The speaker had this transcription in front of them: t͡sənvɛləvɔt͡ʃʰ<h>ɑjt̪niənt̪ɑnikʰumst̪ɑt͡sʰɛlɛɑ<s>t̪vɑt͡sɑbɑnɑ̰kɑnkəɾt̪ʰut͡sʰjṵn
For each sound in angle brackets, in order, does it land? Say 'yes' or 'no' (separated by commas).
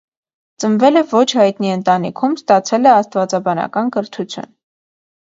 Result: yes, yes